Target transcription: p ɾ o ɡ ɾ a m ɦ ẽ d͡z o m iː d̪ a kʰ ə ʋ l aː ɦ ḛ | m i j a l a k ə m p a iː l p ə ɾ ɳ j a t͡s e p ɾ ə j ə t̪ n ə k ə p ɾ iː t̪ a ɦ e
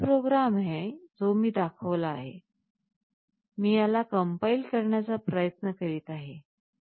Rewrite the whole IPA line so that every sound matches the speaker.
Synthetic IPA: p ɾ o ɡ ɾ a m ɦ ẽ d͡z o m iː d̪ a kʰ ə ʋ l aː ɦ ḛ | m iː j a l a k ə m p a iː l k ə ɾ ɳ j a t͡s a p ɾ ə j ə t̪ n ə k ə ɾ iː t̪ a ɦ e

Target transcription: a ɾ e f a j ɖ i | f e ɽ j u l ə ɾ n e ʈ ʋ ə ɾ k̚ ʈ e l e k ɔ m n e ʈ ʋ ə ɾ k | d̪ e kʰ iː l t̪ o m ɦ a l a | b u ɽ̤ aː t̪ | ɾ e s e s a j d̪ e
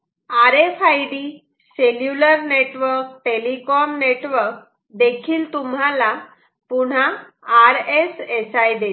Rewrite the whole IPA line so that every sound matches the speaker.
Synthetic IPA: a ɾ e f a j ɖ i | s e l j u l ə ɾ n e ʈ ʋ ə ɾ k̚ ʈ e l i k ɔ m n e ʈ ʋ ə ɾ k | d̪ e kʰ iː l t̪ u m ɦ a l a | p u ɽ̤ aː | ɾ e s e s a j d̪ e

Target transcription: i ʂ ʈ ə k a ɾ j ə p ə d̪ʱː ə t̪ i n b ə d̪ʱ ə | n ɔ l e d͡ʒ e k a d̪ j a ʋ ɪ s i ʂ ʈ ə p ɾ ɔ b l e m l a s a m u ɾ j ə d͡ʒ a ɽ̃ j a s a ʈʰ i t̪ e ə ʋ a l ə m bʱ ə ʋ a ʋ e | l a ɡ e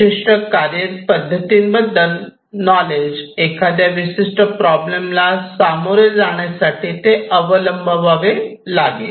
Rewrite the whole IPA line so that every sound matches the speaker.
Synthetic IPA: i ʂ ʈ ə k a ɾ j ə p ə d̪ʱː ə t̪ i n b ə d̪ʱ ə | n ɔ l e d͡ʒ e k a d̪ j a ʋ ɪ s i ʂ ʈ ə p ɾ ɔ b l e m l a s a m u ɾ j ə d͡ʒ a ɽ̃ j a s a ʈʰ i t̪ e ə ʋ ə l ə m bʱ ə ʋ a ʋ e | l a ɡ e

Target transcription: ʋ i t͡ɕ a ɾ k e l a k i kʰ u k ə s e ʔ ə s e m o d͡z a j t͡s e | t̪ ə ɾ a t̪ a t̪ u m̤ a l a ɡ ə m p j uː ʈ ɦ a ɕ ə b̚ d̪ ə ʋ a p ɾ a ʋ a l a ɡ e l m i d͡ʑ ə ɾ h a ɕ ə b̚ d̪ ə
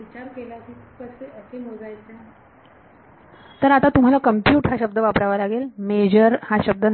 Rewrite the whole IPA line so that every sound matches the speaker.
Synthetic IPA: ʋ i t͡ɕ a ɾ k e l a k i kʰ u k ə s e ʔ ə s e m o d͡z a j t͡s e | t̪ ə ɾ a t̪ a t̪ u m̤ a l a k ə m p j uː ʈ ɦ a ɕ ə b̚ d̪ ə ʋ a p ɾ a ʋ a l a ɡ e l m e d͡ʑ ə ɾ h a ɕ ə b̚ d̪ ə

